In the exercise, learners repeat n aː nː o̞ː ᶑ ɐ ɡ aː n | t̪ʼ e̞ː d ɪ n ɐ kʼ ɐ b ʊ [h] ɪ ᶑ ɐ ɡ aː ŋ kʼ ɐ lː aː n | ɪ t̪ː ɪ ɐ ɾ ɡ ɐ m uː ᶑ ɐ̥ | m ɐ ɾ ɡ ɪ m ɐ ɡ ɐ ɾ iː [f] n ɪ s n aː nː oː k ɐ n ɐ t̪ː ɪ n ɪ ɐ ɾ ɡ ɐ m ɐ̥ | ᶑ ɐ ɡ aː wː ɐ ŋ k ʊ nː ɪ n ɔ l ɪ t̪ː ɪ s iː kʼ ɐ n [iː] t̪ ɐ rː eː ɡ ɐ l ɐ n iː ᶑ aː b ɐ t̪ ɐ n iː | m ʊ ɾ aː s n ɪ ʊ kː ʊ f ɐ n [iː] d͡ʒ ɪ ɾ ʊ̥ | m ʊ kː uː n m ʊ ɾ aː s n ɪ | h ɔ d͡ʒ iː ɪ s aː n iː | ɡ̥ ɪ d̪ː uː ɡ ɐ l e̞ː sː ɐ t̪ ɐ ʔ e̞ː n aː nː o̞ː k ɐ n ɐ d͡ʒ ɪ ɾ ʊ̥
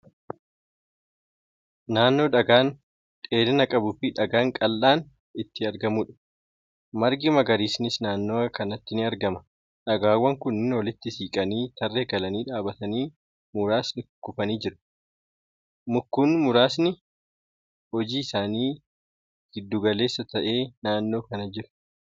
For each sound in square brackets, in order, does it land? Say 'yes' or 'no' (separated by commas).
no, no, yes, yes